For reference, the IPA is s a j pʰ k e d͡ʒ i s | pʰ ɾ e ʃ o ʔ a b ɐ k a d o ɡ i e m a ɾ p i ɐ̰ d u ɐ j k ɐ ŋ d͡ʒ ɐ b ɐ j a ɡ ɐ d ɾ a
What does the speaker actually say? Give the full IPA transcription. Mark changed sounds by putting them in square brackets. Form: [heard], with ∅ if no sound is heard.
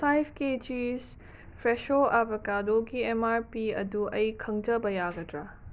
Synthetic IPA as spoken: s a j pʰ k e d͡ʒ i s | pʰ ɾ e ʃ o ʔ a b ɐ k a d o ɡ i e m a ɾ p i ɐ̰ d u ɐ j [kʰ] ɐ ŋ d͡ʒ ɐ b ɐ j a ɡ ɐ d ɾ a